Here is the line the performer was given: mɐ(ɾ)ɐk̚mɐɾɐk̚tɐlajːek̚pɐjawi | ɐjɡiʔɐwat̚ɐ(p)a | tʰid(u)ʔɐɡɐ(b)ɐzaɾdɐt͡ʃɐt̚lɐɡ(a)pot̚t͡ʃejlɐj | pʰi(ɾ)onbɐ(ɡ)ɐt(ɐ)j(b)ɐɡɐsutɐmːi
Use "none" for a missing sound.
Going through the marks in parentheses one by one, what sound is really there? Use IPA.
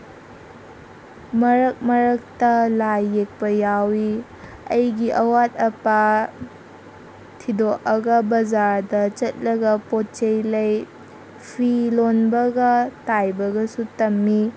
ɾ, p, o, b, ɐ, l, ɡ, a, b

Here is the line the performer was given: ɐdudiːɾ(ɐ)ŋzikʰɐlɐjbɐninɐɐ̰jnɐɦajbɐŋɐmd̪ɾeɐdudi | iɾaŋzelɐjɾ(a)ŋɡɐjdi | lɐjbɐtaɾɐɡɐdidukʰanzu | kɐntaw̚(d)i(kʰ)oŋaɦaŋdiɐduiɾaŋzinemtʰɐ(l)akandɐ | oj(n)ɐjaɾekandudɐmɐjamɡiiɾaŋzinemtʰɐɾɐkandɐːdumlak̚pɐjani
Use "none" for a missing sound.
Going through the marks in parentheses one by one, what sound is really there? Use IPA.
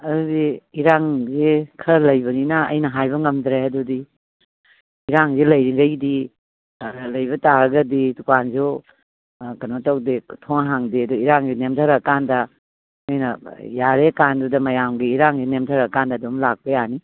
a, i, d, tʰ, ɾ, n

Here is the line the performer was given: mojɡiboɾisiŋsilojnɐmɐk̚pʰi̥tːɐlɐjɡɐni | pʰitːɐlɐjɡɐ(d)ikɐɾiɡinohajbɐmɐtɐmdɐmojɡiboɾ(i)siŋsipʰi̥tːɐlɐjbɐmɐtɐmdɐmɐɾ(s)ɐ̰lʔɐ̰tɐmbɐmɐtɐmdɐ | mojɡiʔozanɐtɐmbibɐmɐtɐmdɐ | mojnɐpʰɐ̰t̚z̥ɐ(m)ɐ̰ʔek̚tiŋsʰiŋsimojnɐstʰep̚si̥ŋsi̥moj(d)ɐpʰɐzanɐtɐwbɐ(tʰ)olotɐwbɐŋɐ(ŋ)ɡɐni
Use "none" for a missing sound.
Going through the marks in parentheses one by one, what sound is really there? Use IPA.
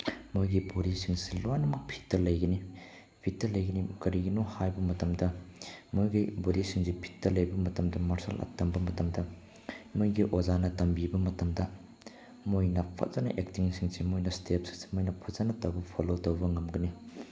n, i, s, n, n, pʰ, m

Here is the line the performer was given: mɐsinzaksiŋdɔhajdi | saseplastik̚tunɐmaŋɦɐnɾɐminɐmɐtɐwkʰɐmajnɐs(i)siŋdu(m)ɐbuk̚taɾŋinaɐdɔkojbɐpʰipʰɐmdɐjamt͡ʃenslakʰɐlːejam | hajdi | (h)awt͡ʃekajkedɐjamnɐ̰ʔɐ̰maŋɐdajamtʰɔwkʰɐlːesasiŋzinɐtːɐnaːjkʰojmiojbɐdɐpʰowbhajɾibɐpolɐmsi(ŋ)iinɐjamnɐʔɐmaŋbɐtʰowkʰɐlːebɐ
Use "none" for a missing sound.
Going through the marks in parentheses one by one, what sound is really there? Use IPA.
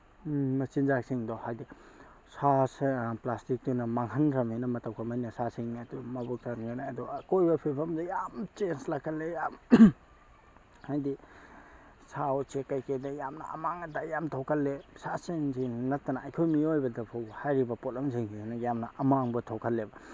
a, m, s, ŋ

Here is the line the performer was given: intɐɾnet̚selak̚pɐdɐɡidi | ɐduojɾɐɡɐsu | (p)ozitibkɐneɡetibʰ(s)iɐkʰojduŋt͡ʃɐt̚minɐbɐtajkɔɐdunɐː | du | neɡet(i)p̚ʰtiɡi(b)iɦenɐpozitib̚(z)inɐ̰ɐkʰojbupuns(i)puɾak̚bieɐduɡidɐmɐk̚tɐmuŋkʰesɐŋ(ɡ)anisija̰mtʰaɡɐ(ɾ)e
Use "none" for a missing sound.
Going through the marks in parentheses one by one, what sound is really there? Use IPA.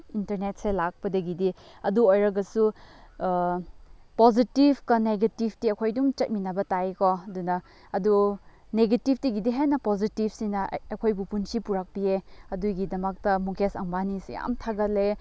p, t, i, d, s, i, b, l

